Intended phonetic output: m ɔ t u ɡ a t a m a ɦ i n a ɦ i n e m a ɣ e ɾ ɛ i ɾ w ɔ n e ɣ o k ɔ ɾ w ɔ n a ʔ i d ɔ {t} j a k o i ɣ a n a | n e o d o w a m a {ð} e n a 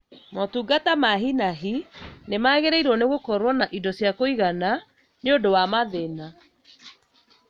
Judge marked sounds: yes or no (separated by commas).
no, yes